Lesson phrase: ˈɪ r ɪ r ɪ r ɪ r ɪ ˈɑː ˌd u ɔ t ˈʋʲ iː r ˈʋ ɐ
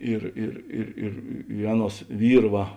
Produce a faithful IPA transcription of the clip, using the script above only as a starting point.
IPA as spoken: ˈɪ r ɪ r ɪ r ɪ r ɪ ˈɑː ˌn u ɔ s ˈʋʲ iː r ˈʋ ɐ